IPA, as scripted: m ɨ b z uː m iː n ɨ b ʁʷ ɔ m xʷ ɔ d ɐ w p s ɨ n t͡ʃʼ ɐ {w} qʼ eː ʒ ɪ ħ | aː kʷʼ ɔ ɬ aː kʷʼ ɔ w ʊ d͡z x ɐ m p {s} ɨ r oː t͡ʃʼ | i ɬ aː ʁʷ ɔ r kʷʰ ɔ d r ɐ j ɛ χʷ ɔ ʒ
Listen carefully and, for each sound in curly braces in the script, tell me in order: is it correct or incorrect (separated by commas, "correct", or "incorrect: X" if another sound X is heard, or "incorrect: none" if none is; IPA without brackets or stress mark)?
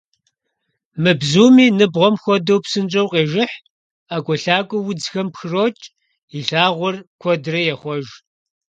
correct, incorrect: x